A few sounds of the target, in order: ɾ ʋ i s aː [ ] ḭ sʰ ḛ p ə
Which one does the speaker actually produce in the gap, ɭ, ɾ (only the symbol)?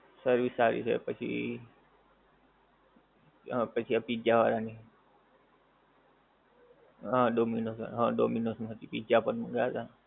ɾ